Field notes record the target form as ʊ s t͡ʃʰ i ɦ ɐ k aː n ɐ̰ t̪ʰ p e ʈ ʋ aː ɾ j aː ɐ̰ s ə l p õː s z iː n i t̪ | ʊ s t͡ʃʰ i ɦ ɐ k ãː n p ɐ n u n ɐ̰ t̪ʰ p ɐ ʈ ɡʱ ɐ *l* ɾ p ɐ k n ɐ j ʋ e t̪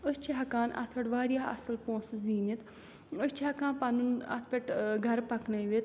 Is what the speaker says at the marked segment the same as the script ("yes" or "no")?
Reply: no